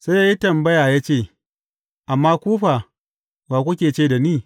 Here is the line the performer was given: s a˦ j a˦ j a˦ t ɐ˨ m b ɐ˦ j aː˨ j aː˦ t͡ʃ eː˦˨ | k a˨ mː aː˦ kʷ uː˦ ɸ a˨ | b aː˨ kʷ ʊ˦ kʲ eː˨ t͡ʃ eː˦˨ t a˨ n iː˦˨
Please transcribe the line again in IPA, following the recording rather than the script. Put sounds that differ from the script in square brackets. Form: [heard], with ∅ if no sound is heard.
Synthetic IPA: s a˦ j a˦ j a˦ t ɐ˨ m b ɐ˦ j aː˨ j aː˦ t͡ʃ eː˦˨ | [ʔ] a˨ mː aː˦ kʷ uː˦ ɸ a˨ | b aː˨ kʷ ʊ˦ kʲ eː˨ t͡ʃ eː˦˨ [d] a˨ n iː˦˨

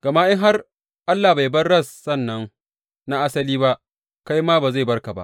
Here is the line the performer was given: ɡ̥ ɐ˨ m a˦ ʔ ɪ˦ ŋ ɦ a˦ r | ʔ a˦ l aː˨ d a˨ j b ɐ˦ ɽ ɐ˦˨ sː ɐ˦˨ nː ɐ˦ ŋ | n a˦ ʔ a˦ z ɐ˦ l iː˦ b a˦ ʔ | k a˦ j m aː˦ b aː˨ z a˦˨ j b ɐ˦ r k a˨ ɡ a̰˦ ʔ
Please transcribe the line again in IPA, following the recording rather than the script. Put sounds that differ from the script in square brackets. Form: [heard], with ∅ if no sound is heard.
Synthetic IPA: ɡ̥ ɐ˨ m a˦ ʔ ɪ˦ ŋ ɦ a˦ r | ʔ a˦ [lː] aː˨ [b] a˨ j b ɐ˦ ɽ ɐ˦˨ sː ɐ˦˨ nː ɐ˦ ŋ | n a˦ ʔ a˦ [s] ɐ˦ l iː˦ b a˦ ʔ | k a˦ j m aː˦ b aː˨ z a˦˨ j b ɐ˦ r k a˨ [b] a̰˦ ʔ

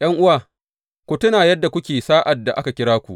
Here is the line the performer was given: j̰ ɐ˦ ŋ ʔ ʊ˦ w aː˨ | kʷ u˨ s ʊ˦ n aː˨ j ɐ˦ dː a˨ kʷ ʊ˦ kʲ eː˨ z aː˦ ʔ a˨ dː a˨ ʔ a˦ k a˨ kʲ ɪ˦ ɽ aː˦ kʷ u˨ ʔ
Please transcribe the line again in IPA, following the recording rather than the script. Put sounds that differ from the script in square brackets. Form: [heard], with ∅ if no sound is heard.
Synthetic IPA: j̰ ɐ˦ ŋ ʔ ʊ˦ w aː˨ | kʷ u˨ [t] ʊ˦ n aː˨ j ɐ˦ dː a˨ kʷ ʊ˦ kʲ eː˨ [s] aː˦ ʔ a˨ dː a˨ ʔ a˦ k a˨ kʲ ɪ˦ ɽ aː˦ kʷ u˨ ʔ

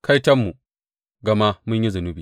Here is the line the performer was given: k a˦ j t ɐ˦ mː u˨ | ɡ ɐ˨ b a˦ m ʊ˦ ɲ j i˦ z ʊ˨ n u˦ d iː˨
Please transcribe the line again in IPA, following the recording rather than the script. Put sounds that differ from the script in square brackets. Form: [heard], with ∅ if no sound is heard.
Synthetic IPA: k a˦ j t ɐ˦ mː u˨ | ɡ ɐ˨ [m] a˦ m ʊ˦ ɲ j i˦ z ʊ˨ n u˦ [b] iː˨

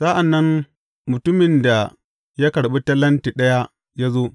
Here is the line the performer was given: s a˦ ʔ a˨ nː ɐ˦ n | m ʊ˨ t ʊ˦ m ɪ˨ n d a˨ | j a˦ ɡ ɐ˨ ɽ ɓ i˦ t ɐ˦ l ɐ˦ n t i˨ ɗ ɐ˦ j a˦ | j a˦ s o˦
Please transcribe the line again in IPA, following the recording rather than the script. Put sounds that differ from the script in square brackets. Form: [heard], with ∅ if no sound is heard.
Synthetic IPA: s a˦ ʔ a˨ nː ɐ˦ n | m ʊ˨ t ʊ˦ m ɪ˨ n d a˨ | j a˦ [k] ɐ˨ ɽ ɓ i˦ t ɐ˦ l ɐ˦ n t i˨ ɗ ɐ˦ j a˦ | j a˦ [z] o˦

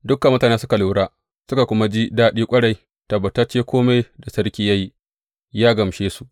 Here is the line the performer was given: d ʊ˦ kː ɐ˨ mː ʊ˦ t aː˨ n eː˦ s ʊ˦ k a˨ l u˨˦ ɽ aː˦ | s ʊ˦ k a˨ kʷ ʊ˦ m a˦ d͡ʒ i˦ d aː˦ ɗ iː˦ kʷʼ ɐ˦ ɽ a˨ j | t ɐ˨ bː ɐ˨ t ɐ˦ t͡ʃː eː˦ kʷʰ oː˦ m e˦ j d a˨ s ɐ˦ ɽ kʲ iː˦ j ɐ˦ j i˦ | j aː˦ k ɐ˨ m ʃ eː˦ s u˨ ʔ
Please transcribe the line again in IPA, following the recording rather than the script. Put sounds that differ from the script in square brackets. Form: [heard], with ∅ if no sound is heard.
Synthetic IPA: d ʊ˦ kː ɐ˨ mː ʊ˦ t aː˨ n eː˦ s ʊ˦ k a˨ l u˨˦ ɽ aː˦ | s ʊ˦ k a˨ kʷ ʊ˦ m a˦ d͡ʒ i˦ d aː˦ ɗ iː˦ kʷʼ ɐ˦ ɽ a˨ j | t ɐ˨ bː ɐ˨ t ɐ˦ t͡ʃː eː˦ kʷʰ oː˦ m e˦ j d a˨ s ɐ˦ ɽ kʲ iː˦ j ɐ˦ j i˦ | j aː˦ [ɡ] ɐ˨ m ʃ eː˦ s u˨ ʔ

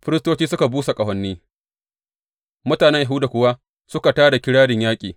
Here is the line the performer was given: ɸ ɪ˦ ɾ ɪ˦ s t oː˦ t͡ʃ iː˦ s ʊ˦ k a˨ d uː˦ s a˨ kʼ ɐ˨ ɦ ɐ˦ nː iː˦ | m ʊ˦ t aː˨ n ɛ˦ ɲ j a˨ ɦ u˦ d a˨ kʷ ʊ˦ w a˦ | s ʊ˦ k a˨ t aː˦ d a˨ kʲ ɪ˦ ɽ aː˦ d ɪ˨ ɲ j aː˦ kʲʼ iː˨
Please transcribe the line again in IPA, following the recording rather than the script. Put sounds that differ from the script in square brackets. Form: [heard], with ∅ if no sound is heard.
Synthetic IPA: ɸ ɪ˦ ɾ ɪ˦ s t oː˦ t͡ʃ iː˦ s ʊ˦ k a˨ [b] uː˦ s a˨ kʼ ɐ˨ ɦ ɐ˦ nː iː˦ | m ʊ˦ t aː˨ n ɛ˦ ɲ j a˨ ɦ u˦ d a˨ kʷ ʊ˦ w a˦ | s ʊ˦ k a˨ t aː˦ d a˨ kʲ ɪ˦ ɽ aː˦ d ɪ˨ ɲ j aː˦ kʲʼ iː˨

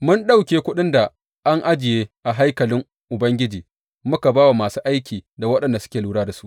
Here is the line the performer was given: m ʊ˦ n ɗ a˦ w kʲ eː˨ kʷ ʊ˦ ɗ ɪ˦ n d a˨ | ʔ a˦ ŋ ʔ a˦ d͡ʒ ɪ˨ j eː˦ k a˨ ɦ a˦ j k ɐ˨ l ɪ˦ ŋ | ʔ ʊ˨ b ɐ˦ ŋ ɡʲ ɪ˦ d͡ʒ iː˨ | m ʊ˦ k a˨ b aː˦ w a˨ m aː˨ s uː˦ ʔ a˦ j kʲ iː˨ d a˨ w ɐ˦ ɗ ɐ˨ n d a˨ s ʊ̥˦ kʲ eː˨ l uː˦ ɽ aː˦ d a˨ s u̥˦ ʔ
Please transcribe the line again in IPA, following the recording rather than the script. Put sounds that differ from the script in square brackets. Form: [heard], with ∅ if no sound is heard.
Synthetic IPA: m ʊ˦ n ɗ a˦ w kʲ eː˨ kʷ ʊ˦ ɗ ɪ˦ n d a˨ | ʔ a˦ ŋ ʔ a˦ d͡ʒ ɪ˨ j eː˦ [ʔ] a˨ ɦ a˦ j k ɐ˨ l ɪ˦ ŋ | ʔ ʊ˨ b ɐ˦ ŋ ɡʲ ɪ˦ d͡ʒ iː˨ | m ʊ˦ k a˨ b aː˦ w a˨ m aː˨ s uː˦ ʔ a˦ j kʲ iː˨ d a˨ w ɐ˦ ɗ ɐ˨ n d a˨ s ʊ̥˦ kʲ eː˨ l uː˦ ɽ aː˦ d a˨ s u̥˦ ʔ

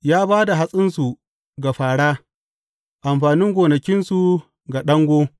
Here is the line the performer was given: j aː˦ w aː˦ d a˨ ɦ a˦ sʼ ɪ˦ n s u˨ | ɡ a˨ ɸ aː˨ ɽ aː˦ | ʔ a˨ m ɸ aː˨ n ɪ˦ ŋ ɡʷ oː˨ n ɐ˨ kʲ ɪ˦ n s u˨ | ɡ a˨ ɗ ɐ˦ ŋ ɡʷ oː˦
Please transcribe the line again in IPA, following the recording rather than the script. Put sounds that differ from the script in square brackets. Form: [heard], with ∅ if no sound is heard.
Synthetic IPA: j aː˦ [b] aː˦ d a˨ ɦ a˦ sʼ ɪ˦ n s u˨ | ɡ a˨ ɸ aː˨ ɽ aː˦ | ʔ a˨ m ɸ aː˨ n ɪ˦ ŋ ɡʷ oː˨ n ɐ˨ kʲ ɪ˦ n s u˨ | ɡ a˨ ɗ ɐ˦ ŋ ɡʷ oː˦

